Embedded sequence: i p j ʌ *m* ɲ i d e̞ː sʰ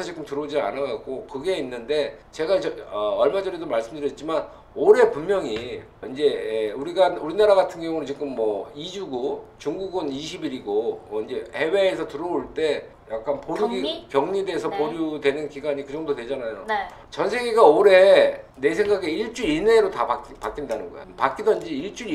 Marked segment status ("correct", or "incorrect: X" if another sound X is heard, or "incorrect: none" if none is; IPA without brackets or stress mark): incorrect: ŋ